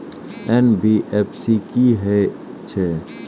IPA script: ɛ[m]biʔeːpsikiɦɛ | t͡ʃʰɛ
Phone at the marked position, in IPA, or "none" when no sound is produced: n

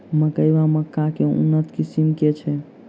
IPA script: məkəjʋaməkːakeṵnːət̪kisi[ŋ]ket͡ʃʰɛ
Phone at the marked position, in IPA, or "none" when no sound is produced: m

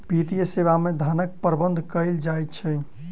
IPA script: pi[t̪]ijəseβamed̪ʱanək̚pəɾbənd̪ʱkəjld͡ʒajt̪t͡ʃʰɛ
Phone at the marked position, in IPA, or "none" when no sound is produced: t̪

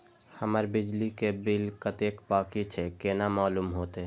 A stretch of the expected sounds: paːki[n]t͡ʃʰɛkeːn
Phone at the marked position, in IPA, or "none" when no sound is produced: none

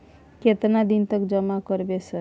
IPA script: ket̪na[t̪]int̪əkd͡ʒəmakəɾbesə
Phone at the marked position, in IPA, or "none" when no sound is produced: d̪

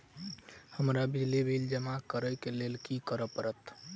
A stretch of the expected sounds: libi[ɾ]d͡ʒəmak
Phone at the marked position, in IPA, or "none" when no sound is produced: l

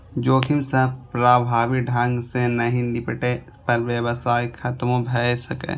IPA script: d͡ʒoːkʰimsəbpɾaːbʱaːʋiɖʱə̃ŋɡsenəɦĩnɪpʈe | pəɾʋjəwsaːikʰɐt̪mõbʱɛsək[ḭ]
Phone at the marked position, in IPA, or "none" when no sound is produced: ḛ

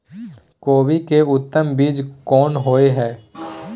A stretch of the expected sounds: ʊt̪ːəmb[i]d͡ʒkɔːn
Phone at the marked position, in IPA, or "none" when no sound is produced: iː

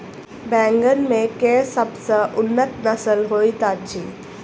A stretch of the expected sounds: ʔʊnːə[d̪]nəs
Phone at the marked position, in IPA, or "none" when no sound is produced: t̪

